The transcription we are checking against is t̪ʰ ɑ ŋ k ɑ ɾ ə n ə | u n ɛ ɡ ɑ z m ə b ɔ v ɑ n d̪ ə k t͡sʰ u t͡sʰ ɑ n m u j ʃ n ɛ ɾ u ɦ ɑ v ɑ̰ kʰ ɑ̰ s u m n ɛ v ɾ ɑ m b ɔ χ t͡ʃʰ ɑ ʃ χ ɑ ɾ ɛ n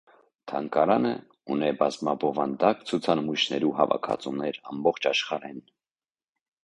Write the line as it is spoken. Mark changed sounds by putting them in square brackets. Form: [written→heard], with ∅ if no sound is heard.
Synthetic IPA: t̪ʰ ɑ ŋ k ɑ ɾ [ə→ɑ] n ə | u n ɛ [ɡ→b] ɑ z m [ə→ɑ] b ɔ v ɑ n d̪ [ə→ɑ] k t͡sʰ u t͡sʰ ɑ n m u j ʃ n ɛ ɾ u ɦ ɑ v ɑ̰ kʰ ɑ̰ [s→t͡s] u m n ɛ [v→∅] ɾ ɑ m b ɔ χ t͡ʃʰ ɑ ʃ χ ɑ ɾ ɛ n